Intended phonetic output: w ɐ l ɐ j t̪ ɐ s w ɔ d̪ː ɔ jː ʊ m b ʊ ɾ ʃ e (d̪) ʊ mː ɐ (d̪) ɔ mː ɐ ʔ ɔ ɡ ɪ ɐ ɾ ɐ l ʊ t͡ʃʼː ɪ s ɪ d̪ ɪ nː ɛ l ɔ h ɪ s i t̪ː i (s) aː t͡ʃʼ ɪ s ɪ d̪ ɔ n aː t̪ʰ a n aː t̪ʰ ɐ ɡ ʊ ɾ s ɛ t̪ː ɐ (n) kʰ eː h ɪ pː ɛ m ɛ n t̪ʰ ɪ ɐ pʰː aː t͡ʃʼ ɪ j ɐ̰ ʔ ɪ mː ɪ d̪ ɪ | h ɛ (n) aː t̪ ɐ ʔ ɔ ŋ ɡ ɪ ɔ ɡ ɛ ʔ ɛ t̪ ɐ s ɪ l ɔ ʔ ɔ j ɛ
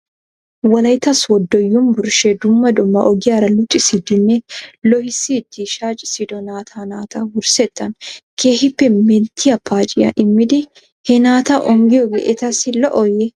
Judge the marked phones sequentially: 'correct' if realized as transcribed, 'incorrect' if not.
correct, correct, incorrect: ʃ, correct, correct

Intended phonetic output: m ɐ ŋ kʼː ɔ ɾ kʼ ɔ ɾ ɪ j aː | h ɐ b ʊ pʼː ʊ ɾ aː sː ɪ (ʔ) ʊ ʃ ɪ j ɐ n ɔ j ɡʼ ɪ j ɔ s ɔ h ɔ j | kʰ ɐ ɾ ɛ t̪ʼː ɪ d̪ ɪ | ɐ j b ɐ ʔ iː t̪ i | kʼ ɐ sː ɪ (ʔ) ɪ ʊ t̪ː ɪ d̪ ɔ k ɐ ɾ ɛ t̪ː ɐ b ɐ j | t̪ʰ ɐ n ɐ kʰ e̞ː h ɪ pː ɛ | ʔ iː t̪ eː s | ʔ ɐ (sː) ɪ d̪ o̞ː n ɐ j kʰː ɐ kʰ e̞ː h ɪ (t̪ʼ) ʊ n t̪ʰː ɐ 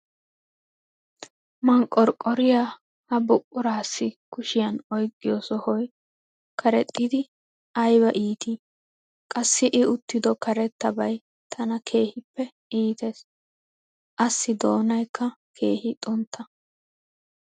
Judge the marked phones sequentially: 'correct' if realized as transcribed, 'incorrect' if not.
incorrect: k, correct, correct, correct

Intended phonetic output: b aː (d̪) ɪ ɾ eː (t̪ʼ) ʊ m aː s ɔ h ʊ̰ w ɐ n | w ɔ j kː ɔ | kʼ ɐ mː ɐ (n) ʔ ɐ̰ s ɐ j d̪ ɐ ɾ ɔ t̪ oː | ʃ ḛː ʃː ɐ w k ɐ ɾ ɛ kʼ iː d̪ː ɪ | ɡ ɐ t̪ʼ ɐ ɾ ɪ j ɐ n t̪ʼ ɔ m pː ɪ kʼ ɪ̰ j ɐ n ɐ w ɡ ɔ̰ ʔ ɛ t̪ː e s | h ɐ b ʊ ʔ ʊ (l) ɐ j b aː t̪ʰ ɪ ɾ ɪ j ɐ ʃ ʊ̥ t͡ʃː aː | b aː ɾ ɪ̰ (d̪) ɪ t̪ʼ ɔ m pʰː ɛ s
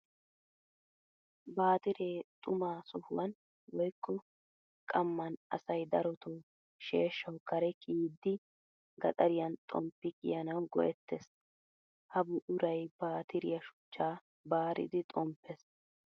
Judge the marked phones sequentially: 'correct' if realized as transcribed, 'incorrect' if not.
incorrect: t̪, correct, correct, incorrect: ɾ, correct

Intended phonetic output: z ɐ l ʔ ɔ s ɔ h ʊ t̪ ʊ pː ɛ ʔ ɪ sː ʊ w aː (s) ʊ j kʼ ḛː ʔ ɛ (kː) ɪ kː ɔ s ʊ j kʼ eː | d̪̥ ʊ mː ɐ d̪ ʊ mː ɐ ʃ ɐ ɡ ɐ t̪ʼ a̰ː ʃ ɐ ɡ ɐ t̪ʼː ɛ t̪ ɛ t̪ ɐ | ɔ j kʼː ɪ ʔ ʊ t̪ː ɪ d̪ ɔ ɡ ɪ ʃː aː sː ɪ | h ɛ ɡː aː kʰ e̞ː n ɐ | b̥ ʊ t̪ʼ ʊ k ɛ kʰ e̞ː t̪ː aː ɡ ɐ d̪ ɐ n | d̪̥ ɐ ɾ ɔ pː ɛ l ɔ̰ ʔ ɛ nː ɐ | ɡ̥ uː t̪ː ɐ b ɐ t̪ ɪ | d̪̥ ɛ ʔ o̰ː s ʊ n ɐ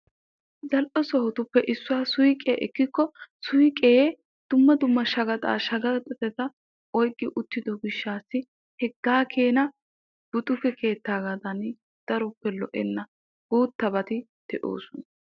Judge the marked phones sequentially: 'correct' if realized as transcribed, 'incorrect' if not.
correct, correct

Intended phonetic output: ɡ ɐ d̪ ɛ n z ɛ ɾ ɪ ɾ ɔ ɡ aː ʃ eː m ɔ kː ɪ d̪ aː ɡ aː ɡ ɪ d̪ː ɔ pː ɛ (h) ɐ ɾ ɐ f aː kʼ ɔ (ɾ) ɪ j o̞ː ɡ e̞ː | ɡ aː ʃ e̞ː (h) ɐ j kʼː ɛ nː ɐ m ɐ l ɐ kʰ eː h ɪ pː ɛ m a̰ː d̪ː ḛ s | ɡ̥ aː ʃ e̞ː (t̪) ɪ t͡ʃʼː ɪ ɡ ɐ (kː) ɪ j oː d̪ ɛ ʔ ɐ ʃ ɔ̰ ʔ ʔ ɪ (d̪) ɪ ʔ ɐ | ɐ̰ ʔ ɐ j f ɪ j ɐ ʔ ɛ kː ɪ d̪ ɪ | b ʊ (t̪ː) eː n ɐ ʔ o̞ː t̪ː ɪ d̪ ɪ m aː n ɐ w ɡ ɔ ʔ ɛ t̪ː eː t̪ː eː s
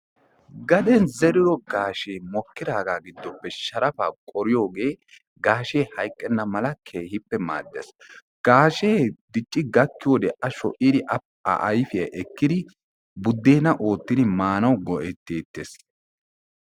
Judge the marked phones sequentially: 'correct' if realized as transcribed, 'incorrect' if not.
incorrect: ʃ, correct, correct, incorrect: d̪, correct, correct, incorrect: d̪ː

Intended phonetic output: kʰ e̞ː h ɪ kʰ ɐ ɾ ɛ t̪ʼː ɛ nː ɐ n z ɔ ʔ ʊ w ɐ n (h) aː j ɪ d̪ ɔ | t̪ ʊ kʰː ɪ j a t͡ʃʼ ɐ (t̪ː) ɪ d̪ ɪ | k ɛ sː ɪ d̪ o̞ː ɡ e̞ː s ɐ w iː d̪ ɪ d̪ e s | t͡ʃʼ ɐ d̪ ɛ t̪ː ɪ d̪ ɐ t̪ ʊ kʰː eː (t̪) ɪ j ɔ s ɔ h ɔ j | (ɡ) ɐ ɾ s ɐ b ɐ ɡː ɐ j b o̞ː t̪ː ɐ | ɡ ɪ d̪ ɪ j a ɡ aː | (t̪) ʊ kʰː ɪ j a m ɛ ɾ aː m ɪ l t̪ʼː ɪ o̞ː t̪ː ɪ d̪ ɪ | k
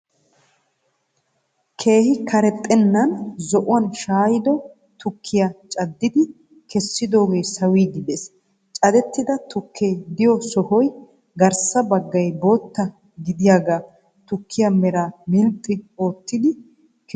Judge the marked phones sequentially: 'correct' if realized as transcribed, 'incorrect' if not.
incorrect: ʃ, incorrect: d̪ː, incorrect: d̪, correct, correct

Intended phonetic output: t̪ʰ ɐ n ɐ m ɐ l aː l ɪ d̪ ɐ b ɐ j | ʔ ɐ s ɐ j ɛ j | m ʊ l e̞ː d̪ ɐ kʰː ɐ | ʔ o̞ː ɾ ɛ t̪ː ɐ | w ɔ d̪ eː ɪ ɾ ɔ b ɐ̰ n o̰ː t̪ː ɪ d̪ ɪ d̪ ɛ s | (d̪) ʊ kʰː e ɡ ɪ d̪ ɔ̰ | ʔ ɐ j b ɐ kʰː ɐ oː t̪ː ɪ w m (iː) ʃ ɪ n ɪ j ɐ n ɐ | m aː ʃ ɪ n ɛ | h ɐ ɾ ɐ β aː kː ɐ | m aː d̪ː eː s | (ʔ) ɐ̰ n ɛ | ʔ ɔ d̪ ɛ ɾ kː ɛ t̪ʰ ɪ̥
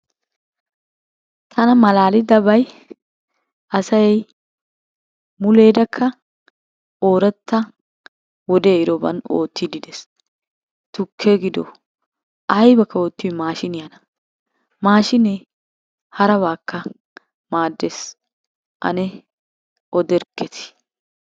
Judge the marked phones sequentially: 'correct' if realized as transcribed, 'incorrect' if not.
incorrect: t̪, incorrect: aː, correct

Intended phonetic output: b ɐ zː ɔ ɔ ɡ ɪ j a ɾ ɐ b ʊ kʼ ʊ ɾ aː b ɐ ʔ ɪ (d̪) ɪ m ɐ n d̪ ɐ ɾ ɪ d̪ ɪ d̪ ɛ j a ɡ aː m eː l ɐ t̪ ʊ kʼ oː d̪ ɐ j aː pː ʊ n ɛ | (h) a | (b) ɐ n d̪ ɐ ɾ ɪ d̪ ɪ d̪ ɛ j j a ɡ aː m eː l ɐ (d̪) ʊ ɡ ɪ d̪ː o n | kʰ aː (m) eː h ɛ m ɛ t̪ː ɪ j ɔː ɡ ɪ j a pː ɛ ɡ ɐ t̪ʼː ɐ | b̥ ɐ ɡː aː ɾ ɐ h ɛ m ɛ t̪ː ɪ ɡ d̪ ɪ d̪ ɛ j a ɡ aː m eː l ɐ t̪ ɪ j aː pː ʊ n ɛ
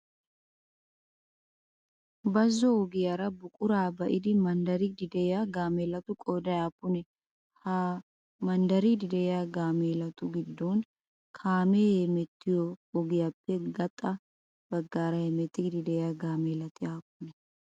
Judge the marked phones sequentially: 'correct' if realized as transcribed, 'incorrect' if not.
correct, correct, incorrect: m, incorrect: t̪, correct

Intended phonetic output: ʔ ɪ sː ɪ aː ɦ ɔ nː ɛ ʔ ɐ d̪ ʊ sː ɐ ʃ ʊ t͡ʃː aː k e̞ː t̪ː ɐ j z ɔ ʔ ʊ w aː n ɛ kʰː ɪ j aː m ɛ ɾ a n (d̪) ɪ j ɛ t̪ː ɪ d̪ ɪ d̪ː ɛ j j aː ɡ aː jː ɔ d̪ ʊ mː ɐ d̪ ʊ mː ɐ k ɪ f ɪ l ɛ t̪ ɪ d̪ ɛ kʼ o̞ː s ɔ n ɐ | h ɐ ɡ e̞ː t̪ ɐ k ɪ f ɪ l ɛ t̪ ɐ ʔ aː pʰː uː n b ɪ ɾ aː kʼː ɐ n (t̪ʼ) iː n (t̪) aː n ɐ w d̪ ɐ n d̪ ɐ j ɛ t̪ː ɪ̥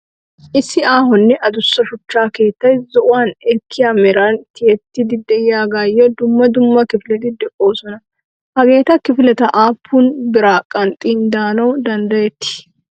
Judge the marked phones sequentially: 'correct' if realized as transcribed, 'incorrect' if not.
incorrect: t̪, correct, incorrect: d̪

